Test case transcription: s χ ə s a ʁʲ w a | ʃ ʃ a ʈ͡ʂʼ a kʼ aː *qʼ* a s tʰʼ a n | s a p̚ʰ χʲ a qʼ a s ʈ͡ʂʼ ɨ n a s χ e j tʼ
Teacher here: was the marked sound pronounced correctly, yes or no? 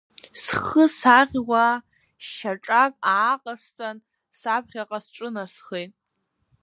yes